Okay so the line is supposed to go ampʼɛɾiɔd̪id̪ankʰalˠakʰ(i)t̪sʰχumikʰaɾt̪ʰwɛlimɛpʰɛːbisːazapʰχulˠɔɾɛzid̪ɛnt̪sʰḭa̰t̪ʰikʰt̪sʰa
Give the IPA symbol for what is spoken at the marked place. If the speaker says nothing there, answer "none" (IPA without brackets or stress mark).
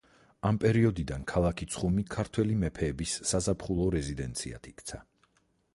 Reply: i